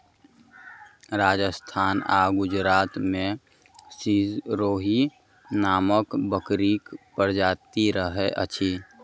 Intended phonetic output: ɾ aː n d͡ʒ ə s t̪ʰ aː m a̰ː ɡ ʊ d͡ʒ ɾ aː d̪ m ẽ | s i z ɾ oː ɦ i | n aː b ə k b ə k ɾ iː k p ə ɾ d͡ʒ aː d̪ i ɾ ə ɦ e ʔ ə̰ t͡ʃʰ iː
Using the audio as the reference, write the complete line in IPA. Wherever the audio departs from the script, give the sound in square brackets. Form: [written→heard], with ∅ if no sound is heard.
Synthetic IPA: ɾ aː [n→∅] d͡ʒ ə s t̪ʰ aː [m→n] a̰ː ɡ ʊ d͡ʒ ɾ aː [d̪→t̪] m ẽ | s i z ɾ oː ɦ i | n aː [b→m] ə k b ə k ɾ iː k p ə ɾ d͡ʒ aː [d̪→t̪] i ɾ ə ɦ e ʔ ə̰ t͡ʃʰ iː